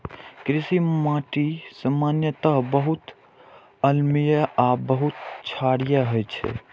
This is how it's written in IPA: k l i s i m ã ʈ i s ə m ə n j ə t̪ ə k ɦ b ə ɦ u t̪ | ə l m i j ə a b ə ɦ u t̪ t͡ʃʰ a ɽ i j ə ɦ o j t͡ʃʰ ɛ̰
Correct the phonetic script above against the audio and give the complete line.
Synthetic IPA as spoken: k ɾ i s i m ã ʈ i s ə m a n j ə t̪ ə ɦ b ə ɦ u t̪ | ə l m i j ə a b ə ɦ u t̪ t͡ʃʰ a ɽ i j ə ɦ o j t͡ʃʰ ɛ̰